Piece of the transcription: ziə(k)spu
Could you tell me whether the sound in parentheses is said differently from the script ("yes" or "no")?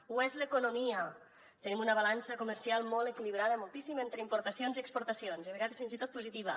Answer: no